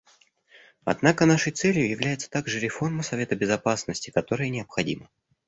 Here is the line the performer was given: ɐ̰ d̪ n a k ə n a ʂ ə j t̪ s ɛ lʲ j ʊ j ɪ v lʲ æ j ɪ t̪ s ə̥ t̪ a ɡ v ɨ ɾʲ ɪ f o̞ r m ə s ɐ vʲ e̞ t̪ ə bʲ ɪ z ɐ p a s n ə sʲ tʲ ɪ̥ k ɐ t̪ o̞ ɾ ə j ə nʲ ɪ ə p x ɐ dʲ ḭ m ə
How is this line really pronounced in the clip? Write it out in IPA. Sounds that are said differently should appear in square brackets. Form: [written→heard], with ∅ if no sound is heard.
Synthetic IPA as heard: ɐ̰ d̪ n a k ə n a ʂ ə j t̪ s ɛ lʲ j ʊ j ɪ v lʲ æ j ɪ t̪ s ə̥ t̪ a ɡ [v→ʐ] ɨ ɾʲ ɪ f o̞ r m ə s ɐ vʲ e̞ t̪ ə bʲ ɪ z ɐ p a s n ə sʲ tʲ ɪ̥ k ɐ t̪ o̞ ɾ ə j ə nʲ ɪ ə p x ɐ dʲ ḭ m ə

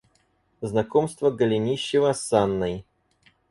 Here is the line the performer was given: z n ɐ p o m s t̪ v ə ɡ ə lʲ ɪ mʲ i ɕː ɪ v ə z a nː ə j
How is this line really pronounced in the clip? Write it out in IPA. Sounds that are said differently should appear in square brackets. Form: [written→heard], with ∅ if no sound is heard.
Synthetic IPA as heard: z n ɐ [p→k] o m s t̪ v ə ɡ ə lʲ ɪ [mʲ→nʲ] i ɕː ɪ v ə [z→s] a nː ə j

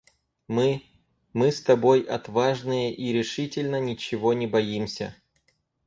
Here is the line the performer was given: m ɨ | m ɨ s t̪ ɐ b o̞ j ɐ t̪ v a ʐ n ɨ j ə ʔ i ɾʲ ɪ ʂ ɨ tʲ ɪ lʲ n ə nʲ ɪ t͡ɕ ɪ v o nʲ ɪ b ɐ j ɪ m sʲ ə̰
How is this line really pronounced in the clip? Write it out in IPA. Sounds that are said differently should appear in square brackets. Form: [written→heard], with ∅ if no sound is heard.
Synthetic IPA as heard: m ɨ | m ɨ s t̪ ɐ b o̞ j ɐ t̪ v a ʐ n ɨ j ə ʔ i ɾʲ ɪ ʂ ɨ tʲ ɪ lʲ n ə nʲ ɪ t͡ɕ ɪ v o nʲ ɪ b ɐ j [ɪ→i] m sʲ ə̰

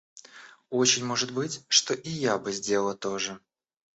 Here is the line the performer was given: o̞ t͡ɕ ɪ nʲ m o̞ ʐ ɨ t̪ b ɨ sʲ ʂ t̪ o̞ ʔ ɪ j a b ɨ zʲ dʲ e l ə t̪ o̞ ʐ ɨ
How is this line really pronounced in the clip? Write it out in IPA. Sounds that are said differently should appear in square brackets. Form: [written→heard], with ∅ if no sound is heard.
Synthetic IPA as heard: o̞ t͡ɕ ɪ nʲ m o̞ ʐ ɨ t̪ b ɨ [sʲ→tʲ] ʂ t̪ o̞ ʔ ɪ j a b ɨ zʲ dʲ e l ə t̪ o̞ ʐ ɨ

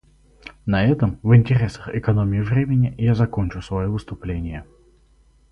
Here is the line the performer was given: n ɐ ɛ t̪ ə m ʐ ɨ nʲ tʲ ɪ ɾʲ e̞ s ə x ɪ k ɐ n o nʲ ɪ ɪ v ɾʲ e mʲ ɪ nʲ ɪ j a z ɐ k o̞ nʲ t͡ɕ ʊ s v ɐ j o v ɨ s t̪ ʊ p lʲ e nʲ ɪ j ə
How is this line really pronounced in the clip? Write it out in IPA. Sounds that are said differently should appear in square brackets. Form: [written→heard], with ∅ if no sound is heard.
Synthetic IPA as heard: n ɐ ɛ t̪ ə m [ʐ→v] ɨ nʲ tʲ ɪ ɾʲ e̞ s ə x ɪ k ɐ n o [nʲ→mʲ] ɪ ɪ v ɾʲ e mʲ ɪ nʲ ɪ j a z ɐ k o̞ nʲ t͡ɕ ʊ s v ɐ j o v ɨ s t̪ ʊ p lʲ e nʲ ɪ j ə

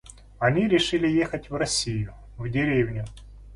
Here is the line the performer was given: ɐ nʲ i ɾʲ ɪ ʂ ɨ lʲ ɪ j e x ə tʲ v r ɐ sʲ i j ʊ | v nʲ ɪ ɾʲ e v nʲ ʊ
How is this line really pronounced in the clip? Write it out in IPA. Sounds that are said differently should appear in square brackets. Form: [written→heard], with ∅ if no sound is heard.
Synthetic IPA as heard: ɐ nʲ i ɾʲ ɪ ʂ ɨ lʲ ɪ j e x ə tʲ v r ɐ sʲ i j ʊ | v [nʲ→dʲ] ɪ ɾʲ e v nʲ ʊ

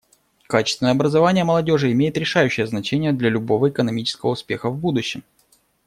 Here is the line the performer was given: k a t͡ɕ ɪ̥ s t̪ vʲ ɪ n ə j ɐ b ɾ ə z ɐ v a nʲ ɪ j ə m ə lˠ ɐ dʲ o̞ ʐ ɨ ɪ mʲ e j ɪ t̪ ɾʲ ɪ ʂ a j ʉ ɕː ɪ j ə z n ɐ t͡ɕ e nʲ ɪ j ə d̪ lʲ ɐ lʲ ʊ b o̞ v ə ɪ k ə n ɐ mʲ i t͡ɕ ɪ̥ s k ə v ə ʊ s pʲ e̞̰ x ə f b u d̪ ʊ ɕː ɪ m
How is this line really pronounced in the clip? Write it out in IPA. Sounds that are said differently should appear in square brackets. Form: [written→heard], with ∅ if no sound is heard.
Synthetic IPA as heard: k a t͡ɕ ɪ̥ s t̪ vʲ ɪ n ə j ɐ b ɾ ə z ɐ v a nʲ ɪ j ə m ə lˠ ɐ dʲ o̞ ʐ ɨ ɪ mʲ e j ɪ t̪ ɾʲ ɪ ʂ a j ʉ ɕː ɪ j ə z n ɐ t͡ɕ e nʲ ɪ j ə d̪ lʲ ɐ lʲ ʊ b o̞ v ə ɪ k ə n ɐ mʲ i t͡ɕ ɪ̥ s k ə v ə ʊ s pʲ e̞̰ x ə [f→v] b u d̪ ʊ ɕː ɪ m

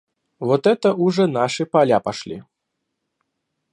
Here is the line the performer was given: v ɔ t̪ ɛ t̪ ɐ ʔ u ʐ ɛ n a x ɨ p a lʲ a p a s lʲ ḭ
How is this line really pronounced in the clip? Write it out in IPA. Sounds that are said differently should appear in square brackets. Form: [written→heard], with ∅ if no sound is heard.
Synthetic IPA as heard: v ɔ t̪ ɛ t̪ ɐ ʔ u ʐ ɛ n a [x→ʂ] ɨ p a lʲ a p a [s→ʂ] lʲ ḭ

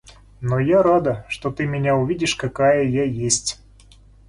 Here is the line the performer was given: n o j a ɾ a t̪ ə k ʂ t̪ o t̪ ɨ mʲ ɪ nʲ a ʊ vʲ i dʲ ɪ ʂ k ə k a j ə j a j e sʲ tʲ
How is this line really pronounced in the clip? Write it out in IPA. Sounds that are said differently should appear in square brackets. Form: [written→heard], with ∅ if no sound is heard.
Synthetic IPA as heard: n o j a ɾ a [t̪→d̪] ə [k→∅] ʂ t̪ o t̪ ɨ mʲ ɪ nʲ a ʊ vʲ i dʲ ɪ ʂ k [ə→ɐ] k a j ə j a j e sʲ tʲ

